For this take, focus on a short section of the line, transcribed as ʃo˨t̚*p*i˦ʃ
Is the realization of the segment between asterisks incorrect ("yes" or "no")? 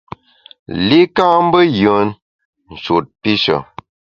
no